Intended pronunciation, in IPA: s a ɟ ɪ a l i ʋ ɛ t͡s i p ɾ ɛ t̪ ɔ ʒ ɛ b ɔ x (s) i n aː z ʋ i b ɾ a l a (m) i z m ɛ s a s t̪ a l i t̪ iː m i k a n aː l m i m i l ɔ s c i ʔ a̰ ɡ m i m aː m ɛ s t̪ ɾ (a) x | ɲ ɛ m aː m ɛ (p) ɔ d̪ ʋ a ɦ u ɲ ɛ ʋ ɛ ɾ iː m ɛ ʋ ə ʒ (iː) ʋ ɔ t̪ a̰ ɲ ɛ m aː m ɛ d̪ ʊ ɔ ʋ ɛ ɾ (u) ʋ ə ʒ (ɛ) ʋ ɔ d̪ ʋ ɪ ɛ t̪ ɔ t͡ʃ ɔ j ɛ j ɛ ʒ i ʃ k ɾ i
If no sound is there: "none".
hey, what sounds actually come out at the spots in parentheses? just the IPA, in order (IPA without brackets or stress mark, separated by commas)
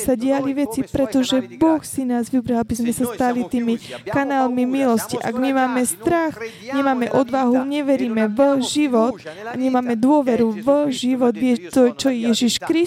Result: s, b, a, ʔ, i, u, i